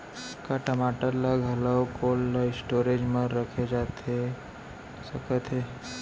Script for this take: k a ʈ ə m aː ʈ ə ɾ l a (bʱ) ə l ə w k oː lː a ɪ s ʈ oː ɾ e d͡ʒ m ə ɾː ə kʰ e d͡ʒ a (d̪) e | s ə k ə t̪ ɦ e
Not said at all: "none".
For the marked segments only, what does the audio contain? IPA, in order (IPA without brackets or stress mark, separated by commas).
ɡʱ, t̪